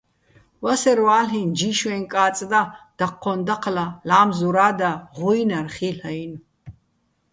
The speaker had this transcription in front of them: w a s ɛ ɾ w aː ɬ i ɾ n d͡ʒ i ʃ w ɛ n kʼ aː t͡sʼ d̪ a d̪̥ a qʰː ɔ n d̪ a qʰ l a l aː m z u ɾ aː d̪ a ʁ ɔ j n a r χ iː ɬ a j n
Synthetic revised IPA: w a s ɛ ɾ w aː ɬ i n d͡ʒ i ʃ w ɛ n kʼ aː t͡sʼ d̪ a d̪̥ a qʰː ɔ n d̪ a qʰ l a l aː m z u ɾ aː d̪ a ʁ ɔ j n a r χ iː ɬ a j n